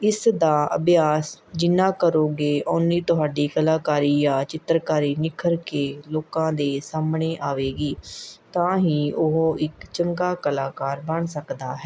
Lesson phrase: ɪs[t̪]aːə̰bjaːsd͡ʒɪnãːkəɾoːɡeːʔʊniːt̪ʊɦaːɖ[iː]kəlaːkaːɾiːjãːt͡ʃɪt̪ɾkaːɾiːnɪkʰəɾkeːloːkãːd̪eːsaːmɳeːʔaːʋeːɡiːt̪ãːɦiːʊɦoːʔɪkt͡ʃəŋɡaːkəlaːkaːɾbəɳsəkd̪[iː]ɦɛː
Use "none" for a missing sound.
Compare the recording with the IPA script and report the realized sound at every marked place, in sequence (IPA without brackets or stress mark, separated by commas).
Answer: d̪, iː, aː